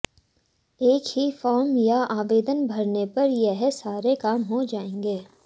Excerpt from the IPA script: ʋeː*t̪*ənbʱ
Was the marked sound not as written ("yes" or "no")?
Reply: yes